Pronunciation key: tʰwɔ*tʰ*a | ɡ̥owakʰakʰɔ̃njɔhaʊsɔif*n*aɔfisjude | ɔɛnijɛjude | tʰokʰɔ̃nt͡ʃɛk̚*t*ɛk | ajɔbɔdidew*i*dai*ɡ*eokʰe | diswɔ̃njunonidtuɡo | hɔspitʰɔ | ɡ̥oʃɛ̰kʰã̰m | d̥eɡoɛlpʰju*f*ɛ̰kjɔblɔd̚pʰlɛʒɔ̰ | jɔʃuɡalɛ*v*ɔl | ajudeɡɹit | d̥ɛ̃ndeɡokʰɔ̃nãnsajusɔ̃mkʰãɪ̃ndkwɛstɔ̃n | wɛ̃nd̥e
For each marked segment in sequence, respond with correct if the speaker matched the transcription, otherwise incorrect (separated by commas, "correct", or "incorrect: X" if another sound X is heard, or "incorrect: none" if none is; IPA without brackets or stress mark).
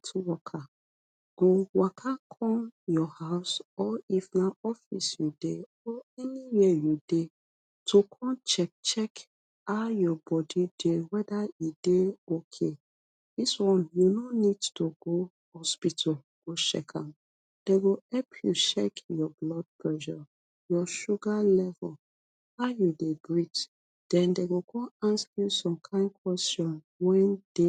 incorrect: kʰ, correct, incorrect: t͡ʃ, incorrect: ɛ, incorrect: d, incorrect: ʃ, correct